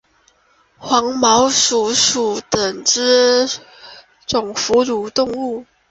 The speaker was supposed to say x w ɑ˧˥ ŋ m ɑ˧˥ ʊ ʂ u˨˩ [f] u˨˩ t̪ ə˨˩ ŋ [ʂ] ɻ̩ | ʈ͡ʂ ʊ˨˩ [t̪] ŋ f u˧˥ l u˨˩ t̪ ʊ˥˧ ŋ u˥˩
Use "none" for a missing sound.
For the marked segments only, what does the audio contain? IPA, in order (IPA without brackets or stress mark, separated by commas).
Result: ʂ, ʈ͡ʂ, none